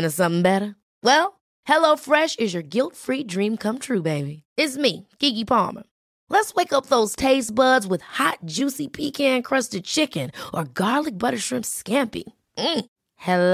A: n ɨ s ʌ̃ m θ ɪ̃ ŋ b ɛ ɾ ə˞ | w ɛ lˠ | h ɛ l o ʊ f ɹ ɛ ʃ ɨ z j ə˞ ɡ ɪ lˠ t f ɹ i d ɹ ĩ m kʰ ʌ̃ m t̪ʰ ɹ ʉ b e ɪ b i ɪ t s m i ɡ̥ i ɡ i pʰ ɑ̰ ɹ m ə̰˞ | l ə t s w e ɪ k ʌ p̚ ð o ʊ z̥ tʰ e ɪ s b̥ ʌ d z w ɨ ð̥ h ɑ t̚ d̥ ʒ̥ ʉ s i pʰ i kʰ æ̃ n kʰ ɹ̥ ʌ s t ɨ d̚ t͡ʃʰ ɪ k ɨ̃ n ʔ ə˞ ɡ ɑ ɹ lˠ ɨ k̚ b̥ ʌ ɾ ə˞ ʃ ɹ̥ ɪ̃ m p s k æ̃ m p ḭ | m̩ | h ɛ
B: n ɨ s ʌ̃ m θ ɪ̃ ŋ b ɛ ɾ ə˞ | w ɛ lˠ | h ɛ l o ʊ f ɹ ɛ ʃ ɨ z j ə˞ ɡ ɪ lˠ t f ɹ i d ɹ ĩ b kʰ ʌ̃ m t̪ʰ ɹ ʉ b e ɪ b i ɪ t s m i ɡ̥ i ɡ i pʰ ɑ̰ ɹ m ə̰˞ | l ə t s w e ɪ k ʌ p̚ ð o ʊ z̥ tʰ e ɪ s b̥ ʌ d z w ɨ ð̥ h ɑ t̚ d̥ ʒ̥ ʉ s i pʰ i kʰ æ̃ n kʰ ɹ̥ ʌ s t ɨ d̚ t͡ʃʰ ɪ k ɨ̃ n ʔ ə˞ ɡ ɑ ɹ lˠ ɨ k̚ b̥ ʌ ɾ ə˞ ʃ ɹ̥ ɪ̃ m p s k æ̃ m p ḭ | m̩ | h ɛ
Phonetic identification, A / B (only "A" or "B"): A